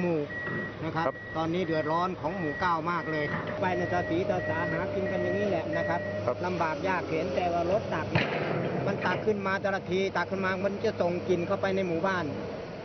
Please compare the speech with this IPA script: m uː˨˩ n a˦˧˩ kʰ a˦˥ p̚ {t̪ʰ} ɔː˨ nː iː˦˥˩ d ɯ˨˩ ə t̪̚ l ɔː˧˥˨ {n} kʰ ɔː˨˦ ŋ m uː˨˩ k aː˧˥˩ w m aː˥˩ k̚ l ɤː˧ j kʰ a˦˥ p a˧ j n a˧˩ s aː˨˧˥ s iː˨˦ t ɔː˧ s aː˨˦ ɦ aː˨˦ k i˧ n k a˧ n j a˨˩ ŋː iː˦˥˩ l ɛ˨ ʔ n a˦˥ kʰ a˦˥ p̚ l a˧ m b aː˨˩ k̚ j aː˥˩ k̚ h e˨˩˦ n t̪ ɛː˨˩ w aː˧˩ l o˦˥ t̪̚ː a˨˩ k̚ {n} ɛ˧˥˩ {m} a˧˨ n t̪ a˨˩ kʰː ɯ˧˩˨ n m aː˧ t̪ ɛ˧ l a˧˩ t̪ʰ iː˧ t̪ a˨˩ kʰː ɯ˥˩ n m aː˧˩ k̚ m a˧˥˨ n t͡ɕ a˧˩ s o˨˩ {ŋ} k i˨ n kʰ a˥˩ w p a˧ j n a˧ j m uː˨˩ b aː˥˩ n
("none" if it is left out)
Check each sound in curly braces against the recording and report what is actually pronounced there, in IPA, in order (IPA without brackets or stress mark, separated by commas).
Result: t̪, n, n, m, ŋ